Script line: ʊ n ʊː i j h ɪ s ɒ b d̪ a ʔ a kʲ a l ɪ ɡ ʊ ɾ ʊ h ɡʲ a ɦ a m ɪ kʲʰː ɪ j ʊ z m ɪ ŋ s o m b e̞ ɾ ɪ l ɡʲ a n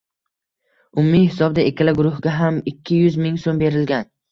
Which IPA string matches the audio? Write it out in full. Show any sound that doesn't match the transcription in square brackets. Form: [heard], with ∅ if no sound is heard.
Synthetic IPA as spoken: ʊ [m] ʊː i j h ɪ s ɒ b d̪ a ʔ [e] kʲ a l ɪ ɡ ʊ ɾ ʊ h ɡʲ a ɦ a m ɪ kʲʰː ɪ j ʊ z m ɪ ŋ s o m b e̞ ɾ ɪ l ɡʲ a n